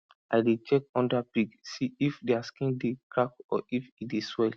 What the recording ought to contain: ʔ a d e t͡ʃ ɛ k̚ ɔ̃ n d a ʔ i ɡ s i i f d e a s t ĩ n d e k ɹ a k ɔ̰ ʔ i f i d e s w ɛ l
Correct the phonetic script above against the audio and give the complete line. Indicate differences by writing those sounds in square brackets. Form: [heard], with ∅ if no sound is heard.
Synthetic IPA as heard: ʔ a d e t͡ʃ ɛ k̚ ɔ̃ n d a [p] i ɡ s i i f d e a s [k] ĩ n d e k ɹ a k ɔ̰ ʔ i f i d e s w ɛ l